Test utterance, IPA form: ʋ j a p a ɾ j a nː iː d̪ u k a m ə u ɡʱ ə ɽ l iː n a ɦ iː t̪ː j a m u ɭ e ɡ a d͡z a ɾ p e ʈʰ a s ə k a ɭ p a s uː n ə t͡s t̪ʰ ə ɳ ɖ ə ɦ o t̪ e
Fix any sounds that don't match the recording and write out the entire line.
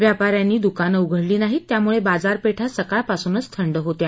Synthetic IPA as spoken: ʋ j a p a ɾ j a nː iː d̪ u k a n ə u ɡʱ ə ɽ l iː n a ɦ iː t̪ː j a m u ɭ e b a d͡z a ɾ p e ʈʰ a s ə k a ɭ p a s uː n ə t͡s t̪ʰ ə ɳ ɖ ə ɦ o t̪ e